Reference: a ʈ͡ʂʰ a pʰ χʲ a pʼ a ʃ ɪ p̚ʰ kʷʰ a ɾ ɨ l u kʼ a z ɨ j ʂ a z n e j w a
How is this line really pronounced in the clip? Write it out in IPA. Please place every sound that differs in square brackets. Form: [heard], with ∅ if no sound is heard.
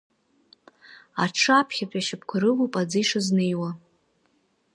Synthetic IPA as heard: a ʈ͡ʂʰ a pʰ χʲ a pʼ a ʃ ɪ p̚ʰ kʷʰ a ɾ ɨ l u [pʼ] a [d͡z] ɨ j ʂ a z n e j w a